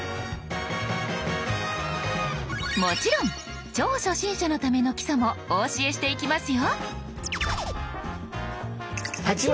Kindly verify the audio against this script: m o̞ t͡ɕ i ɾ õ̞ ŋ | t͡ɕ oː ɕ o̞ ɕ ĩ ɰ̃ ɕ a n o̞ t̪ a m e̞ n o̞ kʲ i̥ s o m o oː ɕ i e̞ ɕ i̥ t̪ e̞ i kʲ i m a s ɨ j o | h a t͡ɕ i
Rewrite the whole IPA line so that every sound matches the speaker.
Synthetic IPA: m o̞ t͡ɕ i ɾ õ̞ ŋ | t͡ɕ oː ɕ o̞ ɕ ĩ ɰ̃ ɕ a n o̞ t̪ a m e̞ n o̞ kʲ i̥ s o m o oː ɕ i e̞ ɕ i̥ t̪ e̞ i kʲ i m a s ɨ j o | h a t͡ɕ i